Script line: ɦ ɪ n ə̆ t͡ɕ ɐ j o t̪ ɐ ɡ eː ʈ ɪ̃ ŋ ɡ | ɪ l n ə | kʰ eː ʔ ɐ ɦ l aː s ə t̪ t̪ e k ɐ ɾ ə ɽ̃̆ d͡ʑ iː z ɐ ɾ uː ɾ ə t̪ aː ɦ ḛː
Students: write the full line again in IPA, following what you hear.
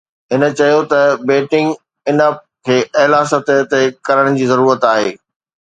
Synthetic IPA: ɦ ɪ n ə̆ t͡ɕ ɐ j o t̪ ɐ b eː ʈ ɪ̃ ŋ ɡ | ɪ n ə | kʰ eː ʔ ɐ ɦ l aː s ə t̪ t̪ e k ɐ ɾ ə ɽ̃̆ d͡ʑ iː z ɐ ɾ uː ɾ ə t̪ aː ɦ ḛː